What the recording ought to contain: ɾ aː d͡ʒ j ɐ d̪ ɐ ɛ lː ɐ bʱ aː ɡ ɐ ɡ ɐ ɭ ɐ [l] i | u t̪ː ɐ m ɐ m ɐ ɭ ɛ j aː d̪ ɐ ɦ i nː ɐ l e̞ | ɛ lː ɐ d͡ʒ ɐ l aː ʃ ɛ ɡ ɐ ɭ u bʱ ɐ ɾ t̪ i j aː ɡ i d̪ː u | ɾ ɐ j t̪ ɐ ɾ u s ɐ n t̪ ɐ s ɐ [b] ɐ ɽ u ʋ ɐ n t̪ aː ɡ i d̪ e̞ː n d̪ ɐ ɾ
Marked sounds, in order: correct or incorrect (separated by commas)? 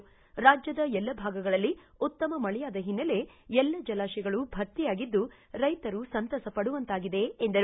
incorrect, incorrect